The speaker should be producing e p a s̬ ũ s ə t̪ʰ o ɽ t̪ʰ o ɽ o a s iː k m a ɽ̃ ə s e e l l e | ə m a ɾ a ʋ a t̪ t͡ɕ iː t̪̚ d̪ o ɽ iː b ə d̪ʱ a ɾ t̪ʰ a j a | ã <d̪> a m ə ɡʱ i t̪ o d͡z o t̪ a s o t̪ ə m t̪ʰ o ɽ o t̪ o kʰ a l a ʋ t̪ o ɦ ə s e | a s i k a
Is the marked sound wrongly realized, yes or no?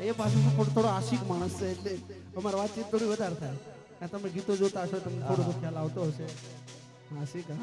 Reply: yes